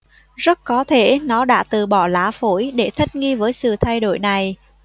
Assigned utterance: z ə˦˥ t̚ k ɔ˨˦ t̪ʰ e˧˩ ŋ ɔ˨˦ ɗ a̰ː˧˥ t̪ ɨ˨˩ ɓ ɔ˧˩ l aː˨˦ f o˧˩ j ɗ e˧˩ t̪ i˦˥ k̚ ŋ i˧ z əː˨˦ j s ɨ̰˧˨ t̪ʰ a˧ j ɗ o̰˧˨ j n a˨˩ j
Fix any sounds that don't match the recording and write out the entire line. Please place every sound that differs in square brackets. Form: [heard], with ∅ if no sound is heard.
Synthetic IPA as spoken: z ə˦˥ t̚ k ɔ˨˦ t̪ʰ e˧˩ [n] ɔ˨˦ ɗ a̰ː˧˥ t̪ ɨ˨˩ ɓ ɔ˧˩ l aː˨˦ f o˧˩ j ɗ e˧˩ [t̪ʰ] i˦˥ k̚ ŋ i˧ [v] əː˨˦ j s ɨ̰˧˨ t̪ʰ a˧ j ɗ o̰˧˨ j n a˨˩ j